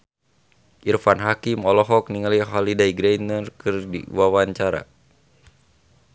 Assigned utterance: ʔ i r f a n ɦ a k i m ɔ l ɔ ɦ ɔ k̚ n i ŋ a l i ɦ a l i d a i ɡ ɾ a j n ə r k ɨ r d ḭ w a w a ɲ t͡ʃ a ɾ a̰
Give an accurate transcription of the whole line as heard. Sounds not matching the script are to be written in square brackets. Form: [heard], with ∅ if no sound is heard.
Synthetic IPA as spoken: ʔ i r f a n ɦ a k i m ɔ l ɔ ɦ ɔ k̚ n i ŋ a l i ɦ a l i d a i ɡ ɾ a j n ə r k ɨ r d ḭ w a w a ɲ t͡ʃ a ɾ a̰